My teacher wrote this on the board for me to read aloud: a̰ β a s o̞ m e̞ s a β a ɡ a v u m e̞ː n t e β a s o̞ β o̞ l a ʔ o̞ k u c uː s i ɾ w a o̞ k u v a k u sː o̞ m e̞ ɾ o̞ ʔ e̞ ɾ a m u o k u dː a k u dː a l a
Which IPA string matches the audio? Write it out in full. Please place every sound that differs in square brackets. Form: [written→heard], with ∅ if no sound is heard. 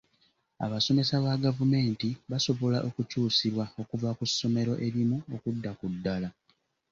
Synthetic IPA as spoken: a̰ β a s o̞ m e̞ s a β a ɡ a v u m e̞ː n t [e→i] β a s o̞ β o̞ l a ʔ o̞ k u c uː s i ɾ w a o̞ k u v a k u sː o̞ m e̞ ɾ o̞ ʔ e̞ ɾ [a→i] m u o k u dː a k u dː a l a